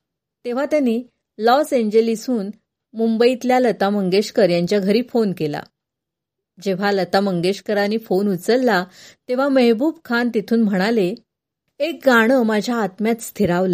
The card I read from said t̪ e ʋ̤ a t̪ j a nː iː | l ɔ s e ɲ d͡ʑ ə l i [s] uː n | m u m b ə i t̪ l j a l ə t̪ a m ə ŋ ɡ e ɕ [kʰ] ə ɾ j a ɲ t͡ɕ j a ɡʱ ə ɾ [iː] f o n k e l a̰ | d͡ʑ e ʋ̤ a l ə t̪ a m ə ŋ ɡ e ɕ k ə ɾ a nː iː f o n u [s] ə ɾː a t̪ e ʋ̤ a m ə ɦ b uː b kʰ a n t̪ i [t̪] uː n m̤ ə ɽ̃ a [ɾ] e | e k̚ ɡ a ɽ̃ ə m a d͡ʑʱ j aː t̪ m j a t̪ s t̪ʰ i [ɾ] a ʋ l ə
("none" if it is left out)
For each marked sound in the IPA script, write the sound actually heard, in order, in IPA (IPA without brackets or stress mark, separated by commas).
s, k, iː, t͡s, t̪ʰ, l, ɾ